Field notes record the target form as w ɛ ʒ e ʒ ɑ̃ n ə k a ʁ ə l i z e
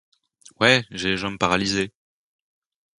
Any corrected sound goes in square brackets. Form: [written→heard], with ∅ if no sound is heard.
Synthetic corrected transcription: w ɛ ʒ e ʒ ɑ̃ [n→m] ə [k→p] a ʁ [ə→a] l i z e